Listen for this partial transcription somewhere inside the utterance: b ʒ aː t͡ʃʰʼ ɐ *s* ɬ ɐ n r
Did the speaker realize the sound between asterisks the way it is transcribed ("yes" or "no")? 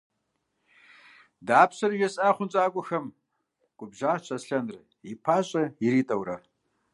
yes